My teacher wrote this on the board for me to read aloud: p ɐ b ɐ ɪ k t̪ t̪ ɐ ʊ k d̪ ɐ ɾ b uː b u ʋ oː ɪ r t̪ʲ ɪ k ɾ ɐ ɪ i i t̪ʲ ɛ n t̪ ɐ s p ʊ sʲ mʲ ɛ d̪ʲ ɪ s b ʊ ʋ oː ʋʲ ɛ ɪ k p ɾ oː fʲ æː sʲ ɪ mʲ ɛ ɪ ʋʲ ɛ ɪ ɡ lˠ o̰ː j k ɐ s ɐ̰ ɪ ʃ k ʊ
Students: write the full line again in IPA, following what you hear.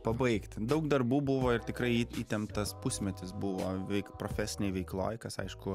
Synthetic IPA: p ɐ b ɐ ɪ k t̪ d̪ ɐ ʊ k d̪ ɐ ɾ b uː b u ʋ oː ɪ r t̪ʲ ɪ k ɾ ɐ ɪ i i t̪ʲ ɛ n t̪ ɐ s p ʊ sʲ mʲ ɛ t̪ʲ ɪ s b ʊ ʋ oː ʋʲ ɛ ɪ k p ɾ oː fʲ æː sʲ ɪ nʲ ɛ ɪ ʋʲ ɛ ɪ k lˠ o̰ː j k ɐ s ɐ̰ ɪ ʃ k ʊ